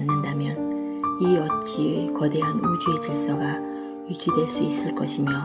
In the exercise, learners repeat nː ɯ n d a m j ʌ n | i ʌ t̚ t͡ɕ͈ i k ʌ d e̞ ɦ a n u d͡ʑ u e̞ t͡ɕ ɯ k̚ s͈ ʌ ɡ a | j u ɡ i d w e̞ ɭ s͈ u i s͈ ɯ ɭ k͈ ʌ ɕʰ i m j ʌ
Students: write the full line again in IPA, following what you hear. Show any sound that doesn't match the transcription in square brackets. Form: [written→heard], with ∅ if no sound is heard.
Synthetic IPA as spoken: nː ɯ n d a m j ʌ n | i ʌ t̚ t͡ɕ͈ i k ʌ d e̞ ɦ a n u d͡ʑ u e̞ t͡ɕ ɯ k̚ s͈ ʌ ɡ a | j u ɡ i d w e̞ ɭ s͈ u i s͈ ɯ ɭ k͈ ʌ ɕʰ i m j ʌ